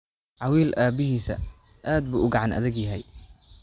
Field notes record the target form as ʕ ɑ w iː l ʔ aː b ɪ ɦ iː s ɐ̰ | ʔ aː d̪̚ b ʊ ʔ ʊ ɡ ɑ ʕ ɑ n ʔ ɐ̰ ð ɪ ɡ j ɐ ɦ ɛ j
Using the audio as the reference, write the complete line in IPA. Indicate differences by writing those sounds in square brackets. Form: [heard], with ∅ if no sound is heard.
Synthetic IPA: ʕ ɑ w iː l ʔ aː b ɪ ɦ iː s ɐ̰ | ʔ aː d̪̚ b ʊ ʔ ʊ ɡ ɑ ʕ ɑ n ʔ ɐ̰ ð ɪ ɡ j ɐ ɦ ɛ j

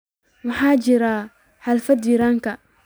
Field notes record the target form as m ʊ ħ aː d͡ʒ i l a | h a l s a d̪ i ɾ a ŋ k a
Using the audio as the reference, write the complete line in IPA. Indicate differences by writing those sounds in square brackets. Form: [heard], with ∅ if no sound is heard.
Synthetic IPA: m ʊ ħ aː d͡ʒ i [ɾ] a | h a l [f] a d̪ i ɾ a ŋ k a

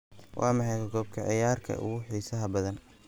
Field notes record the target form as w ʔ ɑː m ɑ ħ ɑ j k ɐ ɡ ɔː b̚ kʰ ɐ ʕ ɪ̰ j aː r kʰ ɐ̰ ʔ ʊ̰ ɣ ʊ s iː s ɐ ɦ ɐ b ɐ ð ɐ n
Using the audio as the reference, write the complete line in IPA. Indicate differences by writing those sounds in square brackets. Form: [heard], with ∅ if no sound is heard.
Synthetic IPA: w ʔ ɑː m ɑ ħ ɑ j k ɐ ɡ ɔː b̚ kʰ ɐ ʕ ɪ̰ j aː r kʰ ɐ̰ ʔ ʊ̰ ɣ ʊ [ħ] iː s ɐ ɦ ɐ b ɐ ð ɐ n

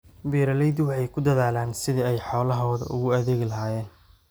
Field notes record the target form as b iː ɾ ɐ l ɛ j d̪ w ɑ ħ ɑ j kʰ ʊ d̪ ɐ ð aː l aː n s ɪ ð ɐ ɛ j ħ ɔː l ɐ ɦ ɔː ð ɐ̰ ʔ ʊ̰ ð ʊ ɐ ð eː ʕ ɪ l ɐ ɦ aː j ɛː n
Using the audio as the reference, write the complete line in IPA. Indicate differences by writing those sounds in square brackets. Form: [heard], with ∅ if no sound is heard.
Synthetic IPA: b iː ɾ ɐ l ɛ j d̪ w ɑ ħ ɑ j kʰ ʊ d̪ ɐ ð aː l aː n s ɪ ð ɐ ɛ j ħ ɔː l ɐ ɦ ɔː ð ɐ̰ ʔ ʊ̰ [ɣ] ʊ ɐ ð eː [ɣ] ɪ l ɐ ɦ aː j ɛː n

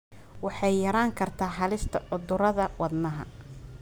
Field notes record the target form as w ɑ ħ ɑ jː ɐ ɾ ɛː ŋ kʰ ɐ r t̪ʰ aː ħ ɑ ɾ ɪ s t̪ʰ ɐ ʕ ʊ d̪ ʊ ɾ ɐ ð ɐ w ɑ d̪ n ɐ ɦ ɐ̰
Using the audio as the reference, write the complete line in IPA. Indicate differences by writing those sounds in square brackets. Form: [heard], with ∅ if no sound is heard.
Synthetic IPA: w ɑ ħ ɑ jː ɐ ɾ [aː] ŋ kʰ ɐ r t̪ʰ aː ħ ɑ [l] ɪ s t̪ʰ ɐ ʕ ʊ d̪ ʊ ɾ ɐ ð ɐ w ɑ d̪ n ɐ ɦ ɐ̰

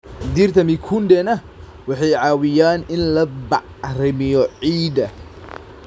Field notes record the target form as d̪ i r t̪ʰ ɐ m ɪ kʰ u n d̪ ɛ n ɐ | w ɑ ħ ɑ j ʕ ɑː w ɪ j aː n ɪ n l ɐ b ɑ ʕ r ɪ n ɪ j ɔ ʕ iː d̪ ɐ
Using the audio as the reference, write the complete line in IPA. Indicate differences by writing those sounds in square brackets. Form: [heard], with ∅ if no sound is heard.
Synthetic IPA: d̪ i r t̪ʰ ɐ m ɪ kʰ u n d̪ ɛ n ɐ | w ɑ ħ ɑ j ʕ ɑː w ɪ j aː n ɪ n l ɐ b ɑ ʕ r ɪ [m] ɪ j ɔ ʕ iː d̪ ɐ

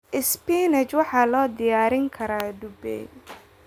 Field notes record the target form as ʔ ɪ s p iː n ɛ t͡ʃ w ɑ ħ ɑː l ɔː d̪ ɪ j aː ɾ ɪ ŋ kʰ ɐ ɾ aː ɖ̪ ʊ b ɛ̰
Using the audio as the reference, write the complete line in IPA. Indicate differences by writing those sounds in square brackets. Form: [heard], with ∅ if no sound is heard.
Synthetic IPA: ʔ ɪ s p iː n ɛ t͡ʃ w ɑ ħ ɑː l ɔː d̪ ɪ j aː ɾ ɪ ŋ kʰ ɐ ɾ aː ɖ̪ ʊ b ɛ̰

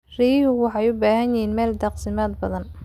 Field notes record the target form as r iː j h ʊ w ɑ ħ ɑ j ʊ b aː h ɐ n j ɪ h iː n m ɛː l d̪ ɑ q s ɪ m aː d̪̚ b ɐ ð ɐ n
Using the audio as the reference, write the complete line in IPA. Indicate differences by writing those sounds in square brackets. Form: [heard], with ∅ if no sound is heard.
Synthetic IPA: r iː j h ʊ w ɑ ħ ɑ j ʊ b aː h ɐ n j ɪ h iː n m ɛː l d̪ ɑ q s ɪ m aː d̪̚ b ɐ ð ɐ n

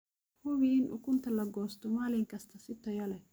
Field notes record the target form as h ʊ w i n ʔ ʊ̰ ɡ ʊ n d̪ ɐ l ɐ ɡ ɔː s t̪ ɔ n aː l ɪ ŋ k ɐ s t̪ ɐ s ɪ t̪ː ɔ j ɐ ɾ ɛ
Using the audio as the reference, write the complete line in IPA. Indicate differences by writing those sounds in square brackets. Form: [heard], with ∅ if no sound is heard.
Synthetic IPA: h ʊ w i n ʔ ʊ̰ [k] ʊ n [t̪] ɐ l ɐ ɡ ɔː s t̪ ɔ [m] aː l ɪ ŋ k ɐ s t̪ ɐ s ɪ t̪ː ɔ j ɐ [l] ɛ

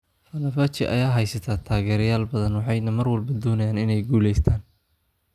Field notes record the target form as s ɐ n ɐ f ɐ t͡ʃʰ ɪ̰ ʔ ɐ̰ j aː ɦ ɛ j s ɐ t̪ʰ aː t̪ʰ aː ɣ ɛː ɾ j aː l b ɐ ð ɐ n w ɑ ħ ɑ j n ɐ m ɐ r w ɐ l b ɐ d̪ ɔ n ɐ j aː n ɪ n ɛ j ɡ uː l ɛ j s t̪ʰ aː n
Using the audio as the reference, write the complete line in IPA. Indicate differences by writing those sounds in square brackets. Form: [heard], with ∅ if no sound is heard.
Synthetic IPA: [f] ɐ n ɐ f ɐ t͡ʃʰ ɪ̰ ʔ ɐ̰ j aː ɦ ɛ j s ɐ t̪ʰ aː t̪ʰ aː ɣ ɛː ɾ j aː l b ɐ ð ɐ n w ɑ ħ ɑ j n ɐ m ɐ r w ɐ l b ɐ d̪ [ɔː] n ɐ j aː n ɪ n ɛ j ɡ uː l ɛ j s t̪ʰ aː n

